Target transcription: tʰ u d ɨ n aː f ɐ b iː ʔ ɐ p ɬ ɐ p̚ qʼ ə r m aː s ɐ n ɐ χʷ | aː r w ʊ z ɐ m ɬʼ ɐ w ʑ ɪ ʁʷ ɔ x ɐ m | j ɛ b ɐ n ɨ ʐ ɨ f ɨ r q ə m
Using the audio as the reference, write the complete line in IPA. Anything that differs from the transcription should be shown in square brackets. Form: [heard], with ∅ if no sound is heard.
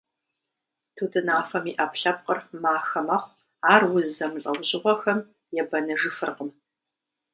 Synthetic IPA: tʰ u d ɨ n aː f ɐ [m] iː ʔ ɐ p ɬ ɐ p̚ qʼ ə r m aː [x] ɐ [m] ɐ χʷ | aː r w ʊ z ɐ m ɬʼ ɐ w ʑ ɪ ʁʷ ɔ x ɐ m | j ɛ b ɐ n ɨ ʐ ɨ f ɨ r q ə m